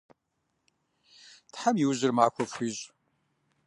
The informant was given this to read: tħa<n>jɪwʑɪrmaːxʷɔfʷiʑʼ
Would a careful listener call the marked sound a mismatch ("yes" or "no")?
yes